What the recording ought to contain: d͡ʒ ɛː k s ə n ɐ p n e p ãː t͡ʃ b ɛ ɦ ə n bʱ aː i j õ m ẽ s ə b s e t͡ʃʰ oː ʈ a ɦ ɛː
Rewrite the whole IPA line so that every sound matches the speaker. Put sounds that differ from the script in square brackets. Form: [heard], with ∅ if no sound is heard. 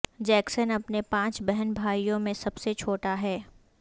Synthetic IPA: d͡ʒ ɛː k s ə n ɐ p n e p ãː t͡ʃ b ɛ ɦ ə n bʱ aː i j õ m ẽ s [ɐ] b s e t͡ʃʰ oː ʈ a ɦ ɛː

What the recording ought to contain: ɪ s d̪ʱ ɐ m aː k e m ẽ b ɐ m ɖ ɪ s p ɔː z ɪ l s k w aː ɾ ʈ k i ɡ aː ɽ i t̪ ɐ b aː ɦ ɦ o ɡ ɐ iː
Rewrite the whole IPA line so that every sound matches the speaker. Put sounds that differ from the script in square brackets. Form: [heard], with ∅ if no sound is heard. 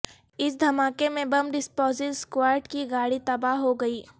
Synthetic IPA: ɪ s d̪ʱ ɐ m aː k e m ẽ b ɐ m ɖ ɪ s p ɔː z ɪ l s k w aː ɾ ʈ k i ɡ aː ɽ i t̪ ɐ b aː ɦ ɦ o ɡ ɐ iː

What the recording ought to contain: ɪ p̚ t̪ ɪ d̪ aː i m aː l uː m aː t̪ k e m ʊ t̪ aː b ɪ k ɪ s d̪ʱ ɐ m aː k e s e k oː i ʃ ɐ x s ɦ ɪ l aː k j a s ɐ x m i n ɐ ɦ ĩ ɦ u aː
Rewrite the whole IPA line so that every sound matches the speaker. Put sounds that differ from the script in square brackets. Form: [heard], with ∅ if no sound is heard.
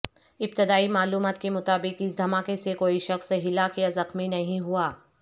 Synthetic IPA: ɪ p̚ t̪ ɪ d̪ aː i m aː l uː m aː t̪ k e m ʊ t̪ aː b ɪ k ɪ s d̪ʱ ɐ m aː k e s e k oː i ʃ ɐ x s ɦ ɪ l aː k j a [z] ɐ x m i n ɐ ɦ ĩ ɦ u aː

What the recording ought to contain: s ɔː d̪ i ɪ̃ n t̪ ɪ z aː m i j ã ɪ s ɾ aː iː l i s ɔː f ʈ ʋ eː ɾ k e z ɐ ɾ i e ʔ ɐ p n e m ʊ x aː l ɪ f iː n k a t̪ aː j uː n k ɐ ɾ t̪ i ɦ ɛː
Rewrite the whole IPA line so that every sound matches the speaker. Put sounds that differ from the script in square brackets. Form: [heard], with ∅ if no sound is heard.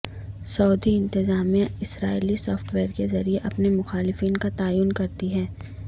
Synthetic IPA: s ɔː d̪ i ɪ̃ n t̪ ɪ z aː m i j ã ɪ s ɾ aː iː l i s ɔː f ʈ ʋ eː ɾ k e z ɐ ɾ i e ʔ ɐ p n e m ʊ x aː l ɪ f iː n k a t̪ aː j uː n k ɐ ɾ t̪ i ɦ ɛː

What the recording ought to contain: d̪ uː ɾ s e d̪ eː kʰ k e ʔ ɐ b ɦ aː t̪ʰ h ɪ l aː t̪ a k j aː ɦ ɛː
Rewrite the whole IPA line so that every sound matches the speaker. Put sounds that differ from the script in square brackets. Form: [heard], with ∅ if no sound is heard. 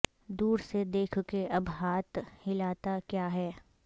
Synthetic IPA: d̪ uː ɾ s e d̪ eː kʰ k e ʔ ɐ b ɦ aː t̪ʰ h ɪ l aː t̪ a k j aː ɦ ɛː

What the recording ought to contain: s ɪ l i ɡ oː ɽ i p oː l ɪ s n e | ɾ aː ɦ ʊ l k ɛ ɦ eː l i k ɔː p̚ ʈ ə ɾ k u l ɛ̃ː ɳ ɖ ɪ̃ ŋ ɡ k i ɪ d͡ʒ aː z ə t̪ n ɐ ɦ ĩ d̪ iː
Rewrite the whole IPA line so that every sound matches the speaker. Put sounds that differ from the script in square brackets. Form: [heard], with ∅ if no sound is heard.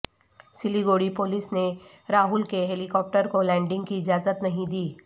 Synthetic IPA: s ɪ l i ɡ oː ɽ i p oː l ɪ s n e | ɾ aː ɦ ʊ l k [e] ɦ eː l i k ɔː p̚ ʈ ə ɾ k [o] l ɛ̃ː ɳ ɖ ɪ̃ ŋ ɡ k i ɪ d͡ʒ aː z ə t̪ n ɐ ɦ ĩ d̪ iː

